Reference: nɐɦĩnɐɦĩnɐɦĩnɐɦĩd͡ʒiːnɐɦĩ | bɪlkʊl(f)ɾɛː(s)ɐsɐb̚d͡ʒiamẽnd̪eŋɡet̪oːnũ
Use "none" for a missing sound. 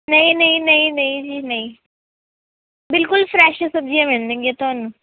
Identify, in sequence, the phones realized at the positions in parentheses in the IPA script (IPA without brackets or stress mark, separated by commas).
f, ʃ